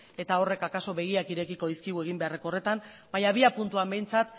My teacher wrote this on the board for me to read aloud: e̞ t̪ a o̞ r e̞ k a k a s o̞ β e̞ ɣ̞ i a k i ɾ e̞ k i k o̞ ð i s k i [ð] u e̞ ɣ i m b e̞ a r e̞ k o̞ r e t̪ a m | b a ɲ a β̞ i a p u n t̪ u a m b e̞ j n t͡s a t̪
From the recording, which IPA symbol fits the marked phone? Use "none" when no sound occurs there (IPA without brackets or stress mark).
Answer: ɣ